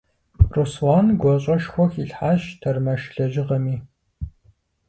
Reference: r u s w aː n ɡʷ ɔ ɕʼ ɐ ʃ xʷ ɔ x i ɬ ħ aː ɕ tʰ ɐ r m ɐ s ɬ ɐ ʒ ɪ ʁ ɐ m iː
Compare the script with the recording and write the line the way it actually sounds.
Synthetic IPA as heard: r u s w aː n ɡʷ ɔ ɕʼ ɐ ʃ xʷ ɔ x i ɬ ħ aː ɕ tʰ ɐ r m ɐ ʃ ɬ ɐ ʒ ɪ ʁ ɐ m iː